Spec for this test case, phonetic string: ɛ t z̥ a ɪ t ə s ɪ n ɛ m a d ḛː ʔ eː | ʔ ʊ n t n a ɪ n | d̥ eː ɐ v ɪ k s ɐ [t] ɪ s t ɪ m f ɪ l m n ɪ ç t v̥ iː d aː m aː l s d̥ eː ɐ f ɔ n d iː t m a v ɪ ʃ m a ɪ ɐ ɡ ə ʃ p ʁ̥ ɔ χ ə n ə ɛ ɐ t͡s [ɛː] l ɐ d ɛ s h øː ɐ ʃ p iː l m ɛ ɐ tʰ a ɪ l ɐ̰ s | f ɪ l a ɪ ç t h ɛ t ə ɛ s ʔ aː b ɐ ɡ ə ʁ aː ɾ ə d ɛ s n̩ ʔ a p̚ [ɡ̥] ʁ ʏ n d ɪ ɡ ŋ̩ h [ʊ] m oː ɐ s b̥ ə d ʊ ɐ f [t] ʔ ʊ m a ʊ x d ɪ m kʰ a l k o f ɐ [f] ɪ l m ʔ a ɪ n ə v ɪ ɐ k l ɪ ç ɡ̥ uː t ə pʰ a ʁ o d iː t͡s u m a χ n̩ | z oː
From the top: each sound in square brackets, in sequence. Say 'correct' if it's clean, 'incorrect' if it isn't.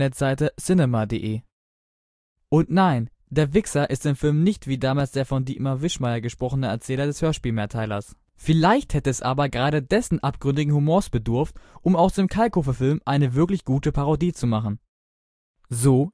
incorrect: ʔ, correct, correct, incorrect: u, correct, correct

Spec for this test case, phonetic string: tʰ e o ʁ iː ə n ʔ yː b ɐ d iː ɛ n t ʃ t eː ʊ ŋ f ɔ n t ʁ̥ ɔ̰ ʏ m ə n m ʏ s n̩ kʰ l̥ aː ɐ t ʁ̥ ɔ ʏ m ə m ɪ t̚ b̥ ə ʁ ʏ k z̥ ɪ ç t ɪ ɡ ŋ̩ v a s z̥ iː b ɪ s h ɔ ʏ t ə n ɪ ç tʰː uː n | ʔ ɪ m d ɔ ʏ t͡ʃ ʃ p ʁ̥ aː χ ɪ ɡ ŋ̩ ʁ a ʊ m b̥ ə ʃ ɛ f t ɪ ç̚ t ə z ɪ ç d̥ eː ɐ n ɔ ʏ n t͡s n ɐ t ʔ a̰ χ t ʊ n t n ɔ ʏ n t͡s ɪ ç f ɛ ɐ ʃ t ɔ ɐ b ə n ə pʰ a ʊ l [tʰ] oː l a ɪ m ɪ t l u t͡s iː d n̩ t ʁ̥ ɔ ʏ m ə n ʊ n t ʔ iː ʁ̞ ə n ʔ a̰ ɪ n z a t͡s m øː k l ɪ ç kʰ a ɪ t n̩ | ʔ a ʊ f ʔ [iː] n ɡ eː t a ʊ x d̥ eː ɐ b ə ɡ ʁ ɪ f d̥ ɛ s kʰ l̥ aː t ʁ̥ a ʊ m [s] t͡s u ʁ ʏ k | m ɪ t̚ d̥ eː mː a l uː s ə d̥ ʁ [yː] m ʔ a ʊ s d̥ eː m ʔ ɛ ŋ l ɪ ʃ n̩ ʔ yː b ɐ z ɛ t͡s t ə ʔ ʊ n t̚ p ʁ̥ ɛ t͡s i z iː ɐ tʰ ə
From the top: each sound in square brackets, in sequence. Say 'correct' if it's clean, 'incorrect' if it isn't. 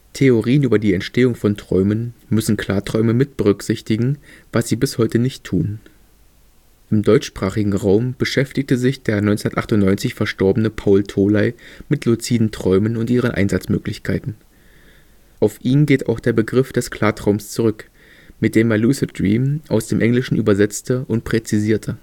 correct, correct, correct, incorrect: iː

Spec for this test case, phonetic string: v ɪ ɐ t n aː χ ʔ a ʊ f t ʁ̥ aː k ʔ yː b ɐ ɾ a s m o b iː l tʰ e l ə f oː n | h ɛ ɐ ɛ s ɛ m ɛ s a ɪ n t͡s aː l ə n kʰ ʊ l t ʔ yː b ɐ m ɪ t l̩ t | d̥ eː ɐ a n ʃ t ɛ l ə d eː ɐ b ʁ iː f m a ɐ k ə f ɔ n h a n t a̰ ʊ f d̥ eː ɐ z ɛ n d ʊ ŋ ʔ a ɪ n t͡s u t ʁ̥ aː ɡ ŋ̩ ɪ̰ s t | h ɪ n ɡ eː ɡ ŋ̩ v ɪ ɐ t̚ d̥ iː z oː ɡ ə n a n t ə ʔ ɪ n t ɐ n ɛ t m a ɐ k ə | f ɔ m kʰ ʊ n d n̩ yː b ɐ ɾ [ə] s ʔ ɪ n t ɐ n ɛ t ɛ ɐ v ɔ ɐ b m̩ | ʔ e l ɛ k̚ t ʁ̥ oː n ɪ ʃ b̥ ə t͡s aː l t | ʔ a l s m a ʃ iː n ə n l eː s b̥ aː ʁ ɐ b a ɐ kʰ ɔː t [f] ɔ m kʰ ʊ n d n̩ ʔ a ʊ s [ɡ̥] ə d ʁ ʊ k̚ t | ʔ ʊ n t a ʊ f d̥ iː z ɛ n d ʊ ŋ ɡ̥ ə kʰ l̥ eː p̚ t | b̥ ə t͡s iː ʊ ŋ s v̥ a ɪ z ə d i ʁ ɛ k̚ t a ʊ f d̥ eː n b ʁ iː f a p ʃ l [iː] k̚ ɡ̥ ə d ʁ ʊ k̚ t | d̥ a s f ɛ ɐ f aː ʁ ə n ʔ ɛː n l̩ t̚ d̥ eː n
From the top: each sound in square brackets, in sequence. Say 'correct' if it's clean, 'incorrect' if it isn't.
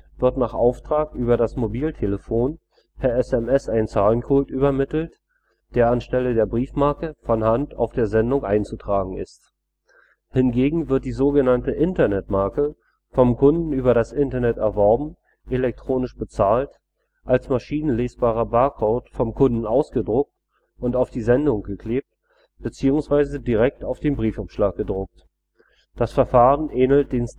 incorrect: a, correct, correct, incorrect: aː

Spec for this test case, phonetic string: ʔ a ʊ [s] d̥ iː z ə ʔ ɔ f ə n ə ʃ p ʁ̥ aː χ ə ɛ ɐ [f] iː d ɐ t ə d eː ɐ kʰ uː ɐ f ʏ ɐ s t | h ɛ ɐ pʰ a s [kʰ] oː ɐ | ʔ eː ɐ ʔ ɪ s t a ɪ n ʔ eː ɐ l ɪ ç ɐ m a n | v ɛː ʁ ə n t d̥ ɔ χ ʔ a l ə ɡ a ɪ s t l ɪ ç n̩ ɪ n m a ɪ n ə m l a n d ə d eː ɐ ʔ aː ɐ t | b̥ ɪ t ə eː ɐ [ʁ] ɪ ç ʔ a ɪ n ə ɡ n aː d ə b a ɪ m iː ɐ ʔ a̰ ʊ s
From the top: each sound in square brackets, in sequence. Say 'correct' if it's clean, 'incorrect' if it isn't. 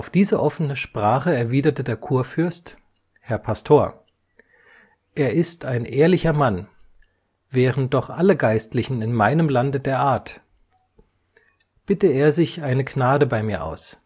incorrect: f, incorrect: v, incorrect: tʰ, incorrect: z

